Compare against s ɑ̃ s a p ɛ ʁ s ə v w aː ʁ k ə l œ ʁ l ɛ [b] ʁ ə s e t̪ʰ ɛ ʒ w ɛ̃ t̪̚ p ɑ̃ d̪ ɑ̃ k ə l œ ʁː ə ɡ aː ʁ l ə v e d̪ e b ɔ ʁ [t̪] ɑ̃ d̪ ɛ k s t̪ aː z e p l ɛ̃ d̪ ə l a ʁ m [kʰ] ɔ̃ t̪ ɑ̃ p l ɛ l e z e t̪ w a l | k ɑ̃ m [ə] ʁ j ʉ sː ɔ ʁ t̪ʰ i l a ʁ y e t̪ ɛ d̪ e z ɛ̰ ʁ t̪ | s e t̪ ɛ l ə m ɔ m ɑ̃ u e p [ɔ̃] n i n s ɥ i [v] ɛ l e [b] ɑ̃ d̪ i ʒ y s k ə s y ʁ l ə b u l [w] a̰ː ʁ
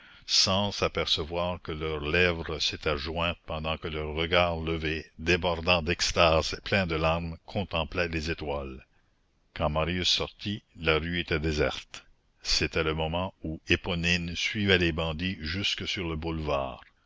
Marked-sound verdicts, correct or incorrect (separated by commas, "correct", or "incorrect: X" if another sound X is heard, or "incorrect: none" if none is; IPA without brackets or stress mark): incorrect: v, incorrect: d̪, correct, incorrect: a, incorrect: ɔ, correct, correct, incorrect: v